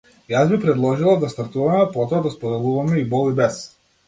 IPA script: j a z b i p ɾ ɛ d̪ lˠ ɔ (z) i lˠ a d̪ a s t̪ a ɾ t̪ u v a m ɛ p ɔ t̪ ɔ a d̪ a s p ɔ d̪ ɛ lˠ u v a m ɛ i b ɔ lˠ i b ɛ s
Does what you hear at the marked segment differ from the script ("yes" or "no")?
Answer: yes